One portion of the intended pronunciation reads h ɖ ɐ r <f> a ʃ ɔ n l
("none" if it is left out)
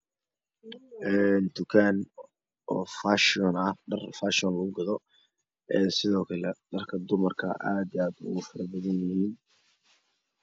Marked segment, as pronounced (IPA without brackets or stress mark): f